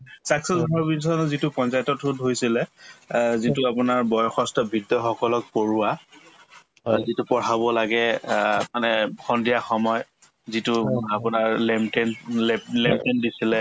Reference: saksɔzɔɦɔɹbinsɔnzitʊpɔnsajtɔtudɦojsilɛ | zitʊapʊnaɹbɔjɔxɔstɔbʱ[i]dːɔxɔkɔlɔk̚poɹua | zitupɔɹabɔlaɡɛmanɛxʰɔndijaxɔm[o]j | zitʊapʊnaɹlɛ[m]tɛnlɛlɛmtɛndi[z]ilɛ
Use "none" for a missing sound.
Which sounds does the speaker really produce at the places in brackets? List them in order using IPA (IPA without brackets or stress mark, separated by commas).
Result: i, ɔ, m, s